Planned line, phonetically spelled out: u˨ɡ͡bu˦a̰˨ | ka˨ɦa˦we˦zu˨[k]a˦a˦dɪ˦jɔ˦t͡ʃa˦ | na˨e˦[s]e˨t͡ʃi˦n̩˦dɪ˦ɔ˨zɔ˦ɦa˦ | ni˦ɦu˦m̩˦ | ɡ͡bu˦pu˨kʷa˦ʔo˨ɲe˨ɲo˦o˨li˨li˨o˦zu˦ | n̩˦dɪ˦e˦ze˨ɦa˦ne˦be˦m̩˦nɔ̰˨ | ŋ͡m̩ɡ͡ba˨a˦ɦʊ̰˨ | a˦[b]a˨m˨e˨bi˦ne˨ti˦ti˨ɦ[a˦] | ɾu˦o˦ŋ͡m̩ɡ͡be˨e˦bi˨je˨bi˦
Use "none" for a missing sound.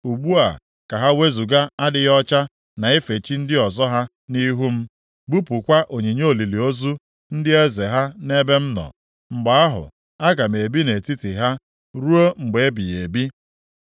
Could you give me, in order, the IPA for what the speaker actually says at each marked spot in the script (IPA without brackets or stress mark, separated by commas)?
ɡ, f, ɡ, a˦